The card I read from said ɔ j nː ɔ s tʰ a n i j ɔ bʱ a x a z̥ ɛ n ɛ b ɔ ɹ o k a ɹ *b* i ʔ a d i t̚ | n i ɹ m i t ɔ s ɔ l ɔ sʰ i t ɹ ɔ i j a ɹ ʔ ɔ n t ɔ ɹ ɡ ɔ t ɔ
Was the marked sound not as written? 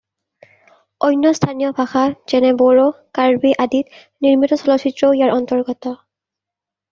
no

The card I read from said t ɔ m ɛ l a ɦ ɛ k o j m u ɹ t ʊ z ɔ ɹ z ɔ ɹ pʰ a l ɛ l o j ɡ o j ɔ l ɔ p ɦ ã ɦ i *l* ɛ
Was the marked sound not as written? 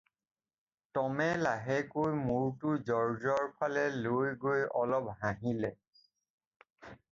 no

